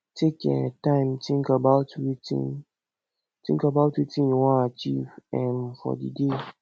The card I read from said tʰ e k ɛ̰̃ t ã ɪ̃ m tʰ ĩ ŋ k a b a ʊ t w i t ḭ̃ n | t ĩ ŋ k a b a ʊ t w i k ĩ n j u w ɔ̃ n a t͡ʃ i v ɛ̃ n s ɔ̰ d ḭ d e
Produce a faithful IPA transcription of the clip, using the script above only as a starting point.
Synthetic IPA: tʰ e k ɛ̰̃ t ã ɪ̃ m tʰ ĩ ŋ k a b a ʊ t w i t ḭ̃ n | t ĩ ŋ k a b a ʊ t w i t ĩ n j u w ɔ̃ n a t͡ʃ i v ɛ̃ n f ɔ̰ d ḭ d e